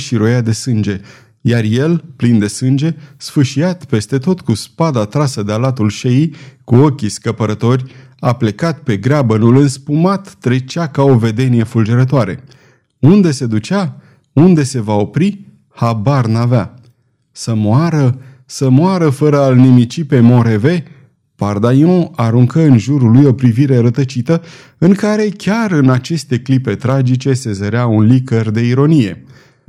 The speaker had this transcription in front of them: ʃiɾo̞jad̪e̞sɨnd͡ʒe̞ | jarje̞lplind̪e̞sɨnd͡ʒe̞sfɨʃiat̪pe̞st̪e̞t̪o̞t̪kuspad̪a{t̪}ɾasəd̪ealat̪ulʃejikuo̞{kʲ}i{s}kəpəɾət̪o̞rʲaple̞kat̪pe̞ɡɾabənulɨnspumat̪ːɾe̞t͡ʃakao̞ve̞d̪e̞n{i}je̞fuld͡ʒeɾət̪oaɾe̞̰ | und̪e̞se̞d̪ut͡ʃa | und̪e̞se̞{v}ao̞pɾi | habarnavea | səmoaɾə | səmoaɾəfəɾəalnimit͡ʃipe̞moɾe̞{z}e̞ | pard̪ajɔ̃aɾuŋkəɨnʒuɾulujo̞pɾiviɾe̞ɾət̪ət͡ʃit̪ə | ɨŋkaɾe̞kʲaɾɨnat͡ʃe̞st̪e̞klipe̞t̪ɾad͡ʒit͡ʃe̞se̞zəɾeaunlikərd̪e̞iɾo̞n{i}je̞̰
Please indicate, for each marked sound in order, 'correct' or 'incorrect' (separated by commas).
correct, correct, correct, correct, correct, incorrect, correct